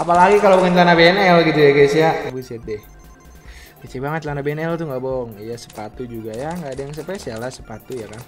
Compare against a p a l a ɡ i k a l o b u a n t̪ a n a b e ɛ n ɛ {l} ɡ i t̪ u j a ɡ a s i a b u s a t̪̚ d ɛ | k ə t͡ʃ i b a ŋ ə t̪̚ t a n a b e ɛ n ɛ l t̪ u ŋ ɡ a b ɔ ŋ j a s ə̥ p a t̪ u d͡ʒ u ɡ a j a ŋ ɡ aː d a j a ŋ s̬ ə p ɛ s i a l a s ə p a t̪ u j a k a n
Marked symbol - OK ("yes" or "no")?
yes